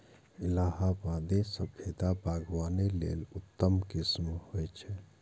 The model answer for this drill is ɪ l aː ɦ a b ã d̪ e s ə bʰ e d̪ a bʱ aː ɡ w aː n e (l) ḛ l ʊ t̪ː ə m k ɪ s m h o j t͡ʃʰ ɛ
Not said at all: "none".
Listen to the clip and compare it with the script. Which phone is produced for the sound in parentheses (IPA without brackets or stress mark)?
l